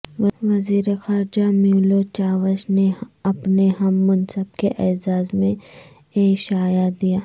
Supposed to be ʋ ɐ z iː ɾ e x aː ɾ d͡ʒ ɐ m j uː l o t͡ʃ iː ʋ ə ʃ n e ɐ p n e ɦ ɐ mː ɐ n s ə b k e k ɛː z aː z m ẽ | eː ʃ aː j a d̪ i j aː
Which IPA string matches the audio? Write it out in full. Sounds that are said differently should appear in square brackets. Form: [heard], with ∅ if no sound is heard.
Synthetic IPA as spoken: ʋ ɐ z iː ɾ e x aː ɾ d͡ʒ [a] m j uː l o t͡ʃ [aː] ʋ ə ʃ n e ɐ p n e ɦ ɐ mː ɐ n s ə b k e [ʔ] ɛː z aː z m ẽ | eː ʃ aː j a d̪ i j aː